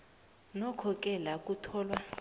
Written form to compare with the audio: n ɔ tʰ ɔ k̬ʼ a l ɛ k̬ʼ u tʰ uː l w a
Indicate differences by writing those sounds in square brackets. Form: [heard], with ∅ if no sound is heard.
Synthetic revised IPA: n ɔ [kʰ] ɔ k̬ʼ [ɛ] l [a] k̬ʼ u tʰ [ɔː] l w a